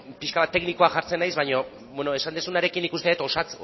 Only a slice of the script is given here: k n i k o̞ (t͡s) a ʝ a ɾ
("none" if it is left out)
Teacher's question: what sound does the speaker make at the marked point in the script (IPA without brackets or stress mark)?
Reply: none